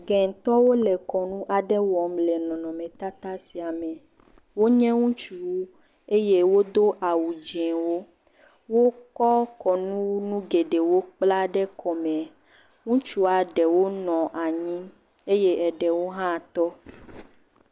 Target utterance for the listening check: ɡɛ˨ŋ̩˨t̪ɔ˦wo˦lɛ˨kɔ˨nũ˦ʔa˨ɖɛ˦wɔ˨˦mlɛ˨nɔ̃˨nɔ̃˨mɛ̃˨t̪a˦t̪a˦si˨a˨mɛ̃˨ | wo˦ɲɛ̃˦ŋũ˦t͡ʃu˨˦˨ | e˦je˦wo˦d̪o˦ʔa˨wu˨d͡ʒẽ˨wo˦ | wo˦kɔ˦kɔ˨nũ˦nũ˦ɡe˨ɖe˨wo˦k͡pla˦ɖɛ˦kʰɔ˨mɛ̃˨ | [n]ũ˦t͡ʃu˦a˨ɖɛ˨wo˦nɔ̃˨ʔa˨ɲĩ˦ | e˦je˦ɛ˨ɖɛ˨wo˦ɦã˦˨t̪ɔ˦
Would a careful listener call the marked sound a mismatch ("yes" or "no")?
yes